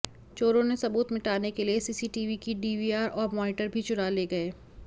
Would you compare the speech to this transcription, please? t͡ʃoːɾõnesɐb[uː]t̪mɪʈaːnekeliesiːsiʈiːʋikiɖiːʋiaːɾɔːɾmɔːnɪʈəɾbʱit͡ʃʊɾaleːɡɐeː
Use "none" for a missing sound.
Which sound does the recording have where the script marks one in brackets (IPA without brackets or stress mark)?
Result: uː